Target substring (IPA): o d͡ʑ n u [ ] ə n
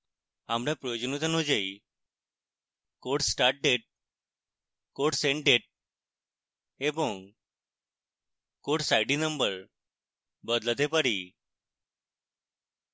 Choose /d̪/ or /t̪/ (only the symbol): t̪